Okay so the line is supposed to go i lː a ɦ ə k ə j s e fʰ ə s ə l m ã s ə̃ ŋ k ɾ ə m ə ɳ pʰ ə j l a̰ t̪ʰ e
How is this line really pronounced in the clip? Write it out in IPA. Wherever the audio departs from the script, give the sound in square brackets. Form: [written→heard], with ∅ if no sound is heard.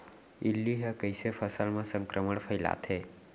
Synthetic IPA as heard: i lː [a→i] ɦ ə k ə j s e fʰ ə s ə l m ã s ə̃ ŋ k ɾ ə m ə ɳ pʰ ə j l a̰ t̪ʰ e